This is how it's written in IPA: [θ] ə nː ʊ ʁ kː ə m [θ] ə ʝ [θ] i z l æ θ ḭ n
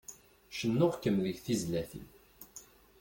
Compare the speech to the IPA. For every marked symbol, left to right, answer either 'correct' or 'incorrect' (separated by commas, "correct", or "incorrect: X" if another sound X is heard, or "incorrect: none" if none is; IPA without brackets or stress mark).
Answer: incorrect: ʃ, incorrect: ð, correct